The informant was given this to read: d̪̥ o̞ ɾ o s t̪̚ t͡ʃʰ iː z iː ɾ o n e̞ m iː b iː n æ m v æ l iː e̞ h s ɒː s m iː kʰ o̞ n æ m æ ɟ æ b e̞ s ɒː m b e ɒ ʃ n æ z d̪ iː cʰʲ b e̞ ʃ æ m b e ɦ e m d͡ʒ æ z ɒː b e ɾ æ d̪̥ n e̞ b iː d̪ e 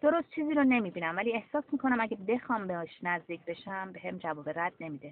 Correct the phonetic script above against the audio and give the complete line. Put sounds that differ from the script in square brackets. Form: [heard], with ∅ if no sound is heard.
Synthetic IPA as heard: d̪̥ o̞ ɾ o s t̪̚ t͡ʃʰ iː z iː ɾ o n e̞ m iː b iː n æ m v æ l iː e̞ h s ɒː s m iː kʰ o̞ n æ m æ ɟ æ b e̞ [x] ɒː m b e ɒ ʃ n æ z d̪ iː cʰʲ b e̞ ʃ æ m b e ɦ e m d͡ʒ æ [v] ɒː b e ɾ æ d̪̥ n e̞ [m] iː d̪ e